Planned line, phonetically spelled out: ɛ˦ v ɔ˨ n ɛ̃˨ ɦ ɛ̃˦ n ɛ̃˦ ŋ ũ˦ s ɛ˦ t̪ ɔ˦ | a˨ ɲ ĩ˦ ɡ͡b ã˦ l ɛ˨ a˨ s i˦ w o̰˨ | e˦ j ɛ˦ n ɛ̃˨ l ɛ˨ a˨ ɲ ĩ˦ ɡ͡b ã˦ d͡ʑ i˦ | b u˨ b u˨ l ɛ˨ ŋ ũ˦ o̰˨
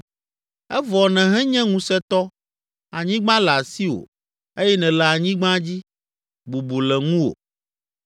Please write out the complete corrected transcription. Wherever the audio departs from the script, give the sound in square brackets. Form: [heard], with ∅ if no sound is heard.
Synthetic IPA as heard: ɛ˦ v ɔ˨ n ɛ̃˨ ɦ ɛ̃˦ [ɲ] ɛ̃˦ ŋ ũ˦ s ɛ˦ t̪ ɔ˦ | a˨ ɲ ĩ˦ ɡ͡b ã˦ l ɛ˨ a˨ s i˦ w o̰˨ | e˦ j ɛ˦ n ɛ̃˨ l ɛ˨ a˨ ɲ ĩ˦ ɡ͡b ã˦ d͡ʑ i˦ | b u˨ b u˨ l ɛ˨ ŋ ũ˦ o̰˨

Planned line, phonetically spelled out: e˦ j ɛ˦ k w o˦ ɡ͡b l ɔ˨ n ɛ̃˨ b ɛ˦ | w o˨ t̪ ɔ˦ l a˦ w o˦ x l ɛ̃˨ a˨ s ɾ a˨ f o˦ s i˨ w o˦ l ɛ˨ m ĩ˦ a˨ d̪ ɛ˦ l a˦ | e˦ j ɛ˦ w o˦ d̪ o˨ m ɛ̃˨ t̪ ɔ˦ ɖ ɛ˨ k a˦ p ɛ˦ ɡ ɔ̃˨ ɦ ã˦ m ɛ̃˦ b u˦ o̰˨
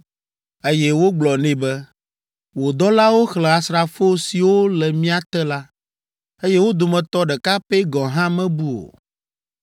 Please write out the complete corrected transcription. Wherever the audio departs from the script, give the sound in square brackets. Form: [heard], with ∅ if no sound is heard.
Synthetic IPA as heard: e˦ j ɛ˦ [∅] w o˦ ɡ͡b l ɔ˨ n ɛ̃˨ b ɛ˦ | w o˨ [d̪] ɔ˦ l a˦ w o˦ x l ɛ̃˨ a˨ s ɾ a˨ f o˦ s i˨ w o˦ l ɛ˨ m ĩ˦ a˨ [t̪] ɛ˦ l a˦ | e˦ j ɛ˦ w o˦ d̪ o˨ m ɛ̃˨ t̪ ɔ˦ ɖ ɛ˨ k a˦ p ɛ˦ ɡ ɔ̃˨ ɦ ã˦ m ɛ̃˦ b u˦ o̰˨

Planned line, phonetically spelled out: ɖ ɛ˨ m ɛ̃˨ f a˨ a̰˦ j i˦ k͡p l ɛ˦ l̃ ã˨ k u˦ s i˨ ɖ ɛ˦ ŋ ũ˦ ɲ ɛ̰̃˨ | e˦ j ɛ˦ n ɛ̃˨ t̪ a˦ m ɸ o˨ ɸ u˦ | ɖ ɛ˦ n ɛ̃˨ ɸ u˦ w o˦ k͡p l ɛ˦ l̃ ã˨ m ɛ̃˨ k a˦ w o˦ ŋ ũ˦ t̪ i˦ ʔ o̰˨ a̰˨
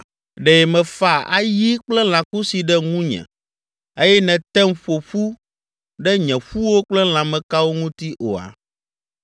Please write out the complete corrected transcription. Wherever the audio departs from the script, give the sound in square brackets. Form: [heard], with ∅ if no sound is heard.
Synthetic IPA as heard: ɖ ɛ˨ m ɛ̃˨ f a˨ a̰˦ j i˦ k͡p l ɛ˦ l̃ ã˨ k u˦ s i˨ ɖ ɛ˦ ŋ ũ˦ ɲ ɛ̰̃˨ | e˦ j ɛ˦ n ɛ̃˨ t̪ [ɛ˦] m ɸ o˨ ɸ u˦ | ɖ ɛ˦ [ɲ] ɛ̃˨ ɸ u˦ w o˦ k͡p l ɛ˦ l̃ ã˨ m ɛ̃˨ k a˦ w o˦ ŋ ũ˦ t̪ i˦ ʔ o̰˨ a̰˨

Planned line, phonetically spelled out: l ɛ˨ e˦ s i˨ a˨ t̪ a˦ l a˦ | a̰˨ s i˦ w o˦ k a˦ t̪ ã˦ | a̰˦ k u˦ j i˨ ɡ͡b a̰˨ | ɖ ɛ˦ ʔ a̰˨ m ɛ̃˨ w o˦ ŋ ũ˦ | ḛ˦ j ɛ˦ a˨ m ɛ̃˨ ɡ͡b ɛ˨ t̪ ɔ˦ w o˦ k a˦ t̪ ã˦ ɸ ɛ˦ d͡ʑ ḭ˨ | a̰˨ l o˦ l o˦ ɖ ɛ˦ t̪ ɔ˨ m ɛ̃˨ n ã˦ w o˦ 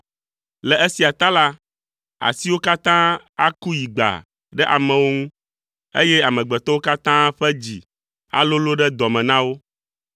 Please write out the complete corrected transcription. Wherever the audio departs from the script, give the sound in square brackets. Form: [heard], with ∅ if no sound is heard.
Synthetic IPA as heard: l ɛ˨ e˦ s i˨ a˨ t̪ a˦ l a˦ | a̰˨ s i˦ w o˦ k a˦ t̪ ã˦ | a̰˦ k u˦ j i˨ ɡ͡b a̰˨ | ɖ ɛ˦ ʔ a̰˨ m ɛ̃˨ w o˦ ŋ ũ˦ | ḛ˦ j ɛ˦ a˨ m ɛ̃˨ ɡ͡b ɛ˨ t̪ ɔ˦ w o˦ k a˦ t̪ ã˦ ɸ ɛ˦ d͡ʑ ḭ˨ | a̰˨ l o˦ l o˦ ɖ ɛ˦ [d̪] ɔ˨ m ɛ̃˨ n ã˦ w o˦

